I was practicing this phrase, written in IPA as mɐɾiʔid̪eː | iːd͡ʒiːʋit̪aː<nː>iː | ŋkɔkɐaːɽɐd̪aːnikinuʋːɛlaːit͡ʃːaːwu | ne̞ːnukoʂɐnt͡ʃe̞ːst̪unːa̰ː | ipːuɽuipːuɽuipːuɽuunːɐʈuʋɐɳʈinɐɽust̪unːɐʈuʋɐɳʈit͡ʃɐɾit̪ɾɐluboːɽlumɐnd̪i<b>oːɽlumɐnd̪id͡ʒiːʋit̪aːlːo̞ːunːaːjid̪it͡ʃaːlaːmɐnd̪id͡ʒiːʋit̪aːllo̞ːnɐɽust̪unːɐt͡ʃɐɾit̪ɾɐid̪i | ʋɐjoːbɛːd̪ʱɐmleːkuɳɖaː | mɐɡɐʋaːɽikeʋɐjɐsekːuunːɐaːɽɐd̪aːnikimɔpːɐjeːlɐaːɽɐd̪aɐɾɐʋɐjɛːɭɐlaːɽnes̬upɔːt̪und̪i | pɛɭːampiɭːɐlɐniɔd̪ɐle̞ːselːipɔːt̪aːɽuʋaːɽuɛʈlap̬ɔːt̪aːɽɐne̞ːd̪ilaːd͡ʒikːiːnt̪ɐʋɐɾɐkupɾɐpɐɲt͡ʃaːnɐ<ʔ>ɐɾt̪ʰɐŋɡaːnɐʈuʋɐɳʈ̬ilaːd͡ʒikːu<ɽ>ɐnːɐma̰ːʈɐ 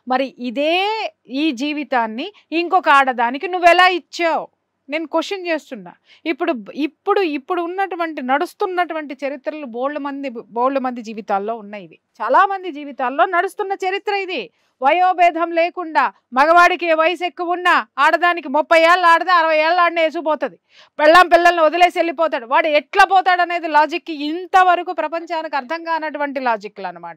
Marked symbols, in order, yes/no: yes, yes, no, no

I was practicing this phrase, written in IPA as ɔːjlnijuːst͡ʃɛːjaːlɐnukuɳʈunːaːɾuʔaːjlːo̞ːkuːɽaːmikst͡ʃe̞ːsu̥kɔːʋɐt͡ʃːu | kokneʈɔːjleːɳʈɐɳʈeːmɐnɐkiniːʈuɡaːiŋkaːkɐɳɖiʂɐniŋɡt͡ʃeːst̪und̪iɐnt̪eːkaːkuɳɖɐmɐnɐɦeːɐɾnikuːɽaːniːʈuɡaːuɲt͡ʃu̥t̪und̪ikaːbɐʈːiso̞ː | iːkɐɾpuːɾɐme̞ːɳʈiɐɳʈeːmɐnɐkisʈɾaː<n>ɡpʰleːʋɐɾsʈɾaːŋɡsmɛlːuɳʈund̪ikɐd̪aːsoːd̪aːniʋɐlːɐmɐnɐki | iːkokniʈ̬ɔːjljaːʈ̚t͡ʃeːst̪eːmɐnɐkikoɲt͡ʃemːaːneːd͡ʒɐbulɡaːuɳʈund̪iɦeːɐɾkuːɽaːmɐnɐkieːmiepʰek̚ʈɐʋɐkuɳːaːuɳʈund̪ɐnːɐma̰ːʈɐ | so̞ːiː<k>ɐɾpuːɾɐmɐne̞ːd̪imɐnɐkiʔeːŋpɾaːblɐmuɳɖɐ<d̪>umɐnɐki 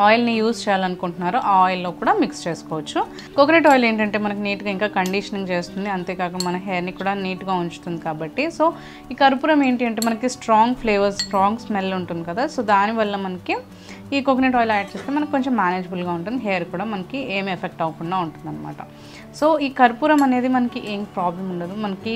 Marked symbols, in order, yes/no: no, yes, yes

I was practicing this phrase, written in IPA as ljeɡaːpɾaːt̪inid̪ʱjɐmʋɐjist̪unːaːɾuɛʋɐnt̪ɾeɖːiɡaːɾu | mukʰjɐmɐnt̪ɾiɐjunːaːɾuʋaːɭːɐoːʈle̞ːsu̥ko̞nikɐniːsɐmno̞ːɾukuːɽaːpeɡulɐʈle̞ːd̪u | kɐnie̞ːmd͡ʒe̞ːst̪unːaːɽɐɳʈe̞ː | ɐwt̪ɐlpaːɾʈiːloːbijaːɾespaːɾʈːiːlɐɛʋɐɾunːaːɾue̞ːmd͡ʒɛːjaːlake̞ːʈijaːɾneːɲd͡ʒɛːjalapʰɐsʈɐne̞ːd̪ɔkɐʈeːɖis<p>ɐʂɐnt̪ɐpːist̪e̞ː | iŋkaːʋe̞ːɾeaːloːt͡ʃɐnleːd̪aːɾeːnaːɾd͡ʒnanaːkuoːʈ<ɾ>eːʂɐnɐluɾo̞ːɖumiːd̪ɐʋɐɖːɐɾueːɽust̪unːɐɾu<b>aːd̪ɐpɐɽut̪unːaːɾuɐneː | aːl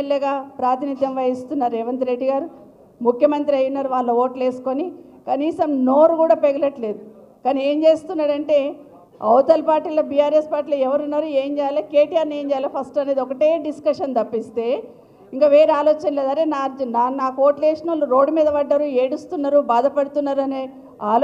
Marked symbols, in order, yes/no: no, no, yes

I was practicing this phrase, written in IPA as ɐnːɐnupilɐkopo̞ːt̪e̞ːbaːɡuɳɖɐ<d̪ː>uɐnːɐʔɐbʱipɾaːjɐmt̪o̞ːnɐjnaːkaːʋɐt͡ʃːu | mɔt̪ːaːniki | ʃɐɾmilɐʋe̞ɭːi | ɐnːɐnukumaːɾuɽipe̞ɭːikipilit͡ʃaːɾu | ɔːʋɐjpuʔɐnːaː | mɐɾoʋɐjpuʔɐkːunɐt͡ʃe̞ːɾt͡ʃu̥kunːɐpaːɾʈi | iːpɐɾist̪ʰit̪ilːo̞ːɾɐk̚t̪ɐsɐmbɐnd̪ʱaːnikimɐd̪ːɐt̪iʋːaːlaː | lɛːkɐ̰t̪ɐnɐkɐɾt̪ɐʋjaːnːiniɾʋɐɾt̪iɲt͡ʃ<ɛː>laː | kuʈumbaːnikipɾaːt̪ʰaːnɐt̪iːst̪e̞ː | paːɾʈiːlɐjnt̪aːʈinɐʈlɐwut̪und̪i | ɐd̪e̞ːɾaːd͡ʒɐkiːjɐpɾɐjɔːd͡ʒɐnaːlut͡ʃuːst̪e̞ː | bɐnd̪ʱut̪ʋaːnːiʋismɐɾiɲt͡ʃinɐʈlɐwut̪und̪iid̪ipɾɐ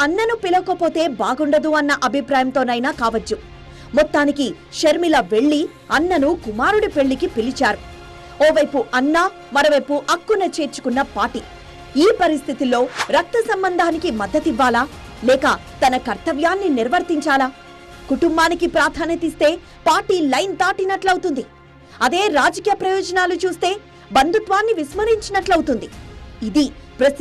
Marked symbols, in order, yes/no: no, no

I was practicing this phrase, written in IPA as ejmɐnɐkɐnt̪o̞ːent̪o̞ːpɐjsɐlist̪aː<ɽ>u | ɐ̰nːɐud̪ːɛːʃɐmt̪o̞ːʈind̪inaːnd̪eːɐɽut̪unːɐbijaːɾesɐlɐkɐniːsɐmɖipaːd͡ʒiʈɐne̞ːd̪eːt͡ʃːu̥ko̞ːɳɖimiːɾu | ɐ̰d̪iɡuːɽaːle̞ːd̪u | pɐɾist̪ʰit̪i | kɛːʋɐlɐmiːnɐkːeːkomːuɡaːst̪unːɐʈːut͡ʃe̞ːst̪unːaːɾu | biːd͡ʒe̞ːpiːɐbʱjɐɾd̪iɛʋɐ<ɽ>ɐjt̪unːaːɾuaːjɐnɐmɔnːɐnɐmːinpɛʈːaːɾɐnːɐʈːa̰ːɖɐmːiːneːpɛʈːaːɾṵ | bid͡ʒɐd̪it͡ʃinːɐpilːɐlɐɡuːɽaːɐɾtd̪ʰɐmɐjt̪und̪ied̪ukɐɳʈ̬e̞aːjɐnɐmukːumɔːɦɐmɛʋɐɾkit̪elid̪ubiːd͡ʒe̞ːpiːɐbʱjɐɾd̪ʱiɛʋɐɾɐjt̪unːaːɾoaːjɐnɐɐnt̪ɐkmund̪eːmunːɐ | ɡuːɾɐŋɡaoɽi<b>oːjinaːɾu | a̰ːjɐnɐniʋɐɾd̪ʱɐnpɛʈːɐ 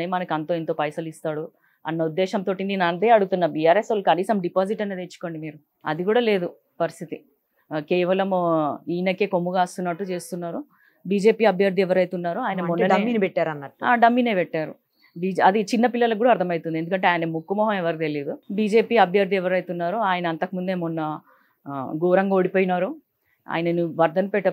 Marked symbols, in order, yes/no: yes, no, no

